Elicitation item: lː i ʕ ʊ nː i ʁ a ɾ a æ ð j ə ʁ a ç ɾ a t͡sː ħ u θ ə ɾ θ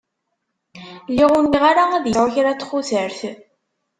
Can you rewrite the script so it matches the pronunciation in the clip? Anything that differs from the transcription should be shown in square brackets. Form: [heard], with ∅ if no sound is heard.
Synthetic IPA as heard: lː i [ʁ] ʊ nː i ʁ a ɾ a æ ð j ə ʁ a ç ɾ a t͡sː [χ] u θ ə ɾ θ